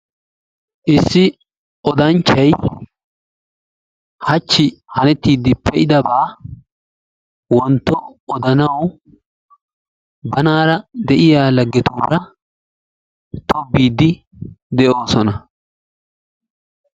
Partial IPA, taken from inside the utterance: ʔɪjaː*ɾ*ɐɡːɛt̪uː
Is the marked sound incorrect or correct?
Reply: incorrect